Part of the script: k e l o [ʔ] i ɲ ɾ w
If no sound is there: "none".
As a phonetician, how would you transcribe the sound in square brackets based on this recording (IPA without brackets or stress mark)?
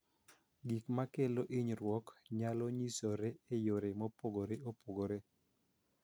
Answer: ʔ